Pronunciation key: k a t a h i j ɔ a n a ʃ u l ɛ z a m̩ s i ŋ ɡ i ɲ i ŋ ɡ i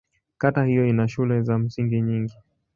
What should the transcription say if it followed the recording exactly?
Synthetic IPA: k a t a h i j ɔ i n a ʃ u l ɛ z a m̩ s i ŋ ɡ i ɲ i ŋ ɡ i